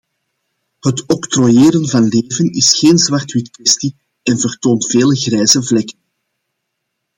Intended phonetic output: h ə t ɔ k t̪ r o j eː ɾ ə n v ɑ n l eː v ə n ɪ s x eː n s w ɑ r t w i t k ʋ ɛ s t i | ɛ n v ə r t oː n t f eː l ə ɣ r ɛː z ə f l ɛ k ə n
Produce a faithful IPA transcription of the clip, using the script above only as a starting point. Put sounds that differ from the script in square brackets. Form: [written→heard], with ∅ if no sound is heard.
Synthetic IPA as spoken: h ə t ɔ k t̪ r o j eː ɾ ə n v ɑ n l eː v ə n ɪ s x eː n [s→z] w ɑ r t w i t k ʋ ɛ s t i | ɛ n v ə r t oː n t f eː l ə ɣ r ɛː z ə [f→v] l ɛ k ə n

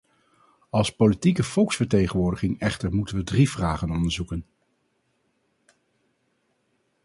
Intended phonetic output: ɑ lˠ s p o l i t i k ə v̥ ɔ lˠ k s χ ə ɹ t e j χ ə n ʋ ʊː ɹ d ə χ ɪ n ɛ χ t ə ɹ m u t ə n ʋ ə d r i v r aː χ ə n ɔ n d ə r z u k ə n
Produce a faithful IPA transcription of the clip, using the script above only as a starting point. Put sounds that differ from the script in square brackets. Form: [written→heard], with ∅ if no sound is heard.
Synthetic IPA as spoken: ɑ lˠ s p o l i t i k ə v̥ ɔ lˠ k s [χ→f] ə ɹ t e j χ ə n ʋ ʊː ɹ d ə χ ɪ [n→ŋ] ɛ χ t ə ɹ m u t ə n ʋ ə d r i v r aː χ ə n ɔ n d ə [r→ɹ] z u k ə n

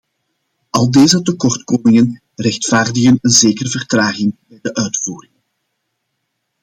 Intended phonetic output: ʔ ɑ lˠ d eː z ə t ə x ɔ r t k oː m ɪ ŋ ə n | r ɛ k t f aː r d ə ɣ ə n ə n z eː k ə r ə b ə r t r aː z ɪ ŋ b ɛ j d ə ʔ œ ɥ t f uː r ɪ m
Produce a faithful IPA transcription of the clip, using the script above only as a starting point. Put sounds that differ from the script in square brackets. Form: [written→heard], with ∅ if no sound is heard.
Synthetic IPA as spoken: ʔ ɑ lˠ d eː z ə t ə [x→k] ɔ r t k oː m ɪ ŋ ə n | r ɛ [k→x] t f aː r d ə ɣ ə n ə n z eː k ə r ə [b→v] ə r t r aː [z→ɣ] ɪ ŋ b ɛ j d ə ʔ œ ɥ t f uː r ɪ [m→ŋ]

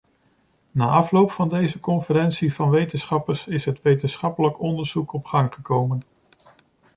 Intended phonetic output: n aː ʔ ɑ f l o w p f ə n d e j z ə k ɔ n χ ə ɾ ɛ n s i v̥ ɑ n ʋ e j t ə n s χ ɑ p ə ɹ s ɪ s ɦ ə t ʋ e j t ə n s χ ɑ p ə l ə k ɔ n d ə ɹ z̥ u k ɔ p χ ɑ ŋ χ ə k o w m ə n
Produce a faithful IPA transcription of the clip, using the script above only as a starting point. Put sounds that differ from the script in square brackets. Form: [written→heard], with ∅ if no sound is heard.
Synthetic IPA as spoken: n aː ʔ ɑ f l o w p f [ə→ɑ] n d e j z ə k ɔ n [χ→f] ə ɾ ɛ n s i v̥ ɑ n ʋ e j t ə n s χ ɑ p ə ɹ s ɪ s ɦ ə t ʋ e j t ə n s χ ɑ p ə l ə k ɔ n d ə ɹ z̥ u k ɔ p χ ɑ ŋ χ ə k o w m ə n

